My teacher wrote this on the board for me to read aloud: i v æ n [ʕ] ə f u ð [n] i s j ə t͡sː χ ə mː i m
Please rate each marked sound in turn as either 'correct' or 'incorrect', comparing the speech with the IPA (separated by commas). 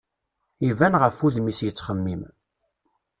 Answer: incorrect, incorrect